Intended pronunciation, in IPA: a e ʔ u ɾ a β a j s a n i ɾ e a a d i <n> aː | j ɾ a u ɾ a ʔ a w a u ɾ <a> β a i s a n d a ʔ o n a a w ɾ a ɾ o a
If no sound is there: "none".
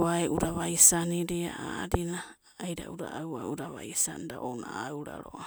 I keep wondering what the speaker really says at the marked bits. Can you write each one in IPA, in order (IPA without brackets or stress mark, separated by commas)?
n, a